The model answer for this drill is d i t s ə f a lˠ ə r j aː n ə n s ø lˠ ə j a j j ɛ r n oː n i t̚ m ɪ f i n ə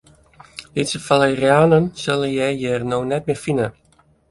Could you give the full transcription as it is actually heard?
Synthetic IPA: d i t s ə f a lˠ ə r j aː n ə n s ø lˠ ə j ɛ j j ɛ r n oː n ɛ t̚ m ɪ f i n ə